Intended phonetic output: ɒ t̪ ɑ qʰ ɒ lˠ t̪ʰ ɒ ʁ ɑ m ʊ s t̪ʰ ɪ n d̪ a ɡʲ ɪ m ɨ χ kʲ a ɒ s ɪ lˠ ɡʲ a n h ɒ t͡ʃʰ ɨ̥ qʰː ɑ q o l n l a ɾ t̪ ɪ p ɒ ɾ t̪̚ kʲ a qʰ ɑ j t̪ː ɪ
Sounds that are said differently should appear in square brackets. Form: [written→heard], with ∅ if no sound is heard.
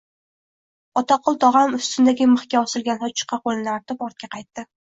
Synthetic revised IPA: ɒ t̪ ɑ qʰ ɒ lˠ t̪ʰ ɒ ʁ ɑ m ʊ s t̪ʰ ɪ n d̪ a ɡʲ ɪ m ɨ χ kʲ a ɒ s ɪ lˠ ɡʲ a n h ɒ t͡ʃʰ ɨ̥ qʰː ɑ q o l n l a ɾ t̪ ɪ p ɒ ɾ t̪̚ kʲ a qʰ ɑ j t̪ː ɪ